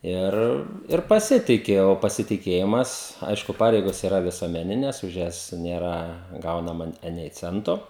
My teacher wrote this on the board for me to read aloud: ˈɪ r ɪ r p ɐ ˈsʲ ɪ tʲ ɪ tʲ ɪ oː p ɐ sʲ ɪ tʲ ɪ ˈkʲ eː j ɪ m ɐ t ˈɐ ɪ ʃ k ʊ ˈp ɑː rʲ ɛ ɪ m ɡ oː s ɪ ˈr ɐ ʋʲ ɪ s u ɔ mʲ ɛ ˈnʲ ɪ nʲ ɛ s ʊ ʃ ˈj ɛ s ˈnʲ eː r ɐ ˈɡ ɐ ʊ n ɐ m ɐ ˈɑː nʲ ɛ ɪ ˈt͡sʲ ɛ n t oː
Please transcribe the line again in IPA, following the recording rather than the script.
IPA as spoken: ˈɪ r ɪ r p ɐ ˈsʲ ɪ tʲ ɪ kʲ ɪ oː p ɐ sʲ ɪ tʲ ɪ ˈkʲ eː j ɪ m ɐ s ˈɐ ɪ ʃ k ʊ ˈp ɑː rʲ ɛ ɪ ɡ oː s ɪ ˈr ɐ ʋʲ ɪ s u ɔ mʲ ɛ ˈnʲ ɪ nʲ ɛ s ʊ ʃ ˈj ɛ s ˈnʲ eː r ɐ ˈɡ ɐ ʊ n ɐ m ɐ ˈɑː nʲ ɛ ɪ ˈt͡sʲ ɛ n t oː